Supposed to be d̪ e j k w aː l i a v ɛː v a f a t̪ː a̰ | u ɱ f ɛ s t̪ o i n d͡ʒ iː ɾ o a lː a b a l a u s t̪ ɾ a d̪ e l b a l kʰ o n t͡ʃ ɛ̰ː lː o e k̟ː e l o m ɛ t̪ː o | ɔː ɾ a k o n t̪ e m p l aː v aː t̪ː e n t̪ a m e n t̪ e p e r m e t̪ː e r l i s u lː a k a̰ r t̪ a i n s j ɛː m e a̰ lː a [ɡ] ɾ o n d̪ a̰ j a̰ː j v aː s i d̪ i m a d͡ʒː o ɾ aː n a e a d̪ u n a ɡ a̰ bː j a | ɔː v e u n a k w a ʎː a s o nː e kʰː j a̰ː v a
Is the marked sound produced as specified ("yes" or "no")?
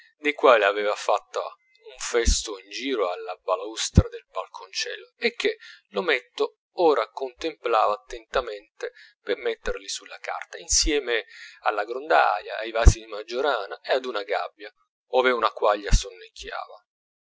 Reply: yes